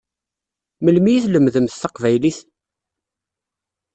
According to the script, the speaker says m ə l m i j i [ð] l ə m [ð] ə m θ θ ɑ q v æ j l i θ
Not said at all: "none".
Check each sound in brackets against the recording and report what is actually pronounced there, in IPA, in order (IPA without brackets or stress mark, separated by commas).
θ, ð